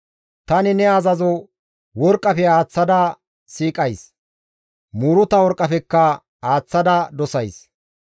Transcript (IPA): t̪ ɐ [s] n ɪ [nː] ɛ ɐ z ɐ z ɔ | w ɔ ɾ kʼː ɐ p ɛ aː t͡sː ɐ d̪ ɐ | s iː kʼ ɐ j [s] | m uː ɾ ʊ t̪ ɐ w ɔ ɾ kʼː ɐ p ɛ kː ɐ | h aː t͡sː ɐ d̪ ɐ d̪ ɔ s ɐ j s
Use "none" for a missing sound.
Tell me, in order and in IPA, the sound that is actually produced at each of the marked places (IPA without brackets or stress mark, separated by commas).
none, n, s